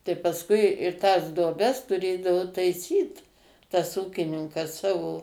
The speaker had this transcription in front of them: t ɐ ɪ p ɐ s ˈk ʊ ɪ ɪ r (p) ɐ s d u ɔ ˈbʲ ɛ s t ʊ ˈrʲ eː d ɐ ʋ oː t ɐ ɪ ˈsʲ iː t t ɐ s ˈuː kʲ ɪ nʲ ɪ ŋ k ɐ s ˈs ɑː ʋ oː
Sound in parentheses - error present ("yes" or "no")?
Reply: yes